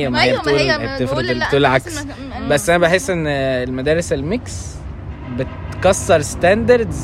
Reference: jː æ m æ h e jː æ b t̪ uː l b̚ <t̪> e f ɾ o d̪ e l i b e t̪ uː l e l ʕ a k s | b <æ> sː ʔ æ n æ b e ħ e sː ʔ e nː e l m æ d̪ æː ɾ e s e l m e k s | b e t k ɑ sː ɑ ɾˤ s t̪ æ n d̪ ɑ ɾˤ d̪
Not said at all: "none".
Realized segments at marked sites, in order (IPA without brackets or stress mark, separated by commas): t̪, æ